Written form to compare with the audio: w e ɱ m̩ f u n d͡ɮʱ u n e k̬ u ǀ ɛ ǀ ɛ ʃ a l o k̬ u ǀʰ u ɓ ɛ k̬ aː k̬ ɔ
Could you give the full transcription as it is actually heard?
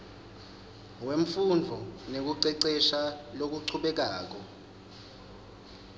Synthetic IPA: w e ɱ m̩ f u n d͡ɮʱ ɔ n e k̬ u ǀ ɛ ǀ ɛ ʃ a l o k̬ u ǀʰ u ɓ ɛ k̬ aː k̬ ɔ